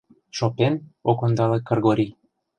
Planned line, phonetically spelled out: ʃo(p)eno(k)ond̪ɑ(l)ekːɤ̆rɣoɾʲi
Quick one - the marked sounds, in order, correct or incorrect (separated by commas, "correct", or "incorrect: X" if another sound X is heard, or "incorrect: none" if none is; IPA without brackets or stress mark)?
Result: correct, correct, correct